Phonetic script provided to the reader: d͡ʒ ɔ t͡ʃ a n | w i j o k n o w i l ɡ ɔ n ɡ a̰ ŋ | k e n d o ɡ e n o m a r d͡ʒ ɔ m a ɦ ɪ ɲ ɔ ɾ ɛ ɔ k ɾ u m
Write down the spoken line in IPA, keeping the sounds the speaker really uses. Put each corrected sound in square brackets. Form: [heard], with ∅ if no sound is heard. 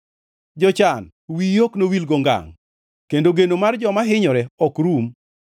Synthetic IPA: d͡ʒ ɔ t͡ʃ a n | w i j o k n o w i l ɡ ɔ [ŋ] ɡ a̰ ŋ | k e n d o ɡ e n o m a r d͡ʒ ɔ m a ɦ ɪ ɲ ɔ ɾ ɛ ɔ k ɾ u m